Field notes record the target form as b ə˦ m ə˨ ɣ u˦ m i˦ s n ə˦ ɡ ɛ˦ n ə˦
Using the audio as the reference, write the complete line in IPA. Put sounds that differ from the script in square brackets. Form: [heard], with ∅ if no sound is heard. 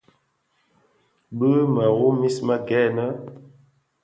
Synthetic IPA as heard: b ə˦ m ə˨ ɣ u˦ m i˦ s [m] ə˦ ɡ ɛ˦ n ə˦